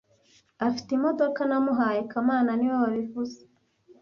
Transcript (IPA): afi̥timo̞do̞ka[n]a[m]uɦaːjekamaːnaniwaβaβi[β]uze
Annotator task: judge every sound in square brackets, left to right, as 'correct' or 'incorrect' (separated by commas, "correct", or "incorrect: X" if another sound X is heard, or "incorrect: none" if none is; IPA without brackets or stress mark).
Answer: correct, correct, incorrect: v